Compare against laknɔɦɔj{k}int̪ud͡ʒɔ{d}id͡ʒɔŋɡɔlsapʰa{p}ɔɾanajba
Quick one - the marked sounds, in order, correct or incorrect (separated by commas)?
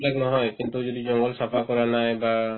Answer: correct, correct, incorrect